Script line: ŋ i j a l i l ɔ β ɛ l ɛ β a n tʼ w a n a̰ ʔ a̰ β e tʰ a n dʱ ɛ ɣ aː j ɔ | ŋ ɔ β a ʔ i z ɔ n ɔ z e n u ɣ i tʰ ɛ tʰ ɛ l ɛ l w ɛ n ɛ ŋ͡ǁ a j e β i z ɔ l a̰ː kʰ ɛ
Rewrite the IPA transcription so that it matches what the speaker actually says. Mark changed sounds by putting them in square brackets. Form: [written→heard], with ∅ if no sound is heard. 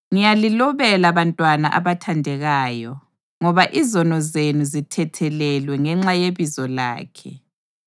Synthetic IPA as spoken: ŋ i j a l i l ɔ β ɛ l [ɛ→a] β a n tʼ w a n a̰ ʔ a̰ β [e→a] tʰ a n dʱ ɛ ɣ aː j ɔ | ŋ ɔ β a ʔ i z ɔ n ɔ z e n u [ɣ→z] i tʰ ɛ tʰ ɛ l ɛ l w ɛ [n→ŋ] ɛ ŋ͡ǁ a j e β i z ɔ l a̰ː kʰ ɛ